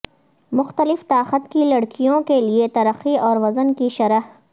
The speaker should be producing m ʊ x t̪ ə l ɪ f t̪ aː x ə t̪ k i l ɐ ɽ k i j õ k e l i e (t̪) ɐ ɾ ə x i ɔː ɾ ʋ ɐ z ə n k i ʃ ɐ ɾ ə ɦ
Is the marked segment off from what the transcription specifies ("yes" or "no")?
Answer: no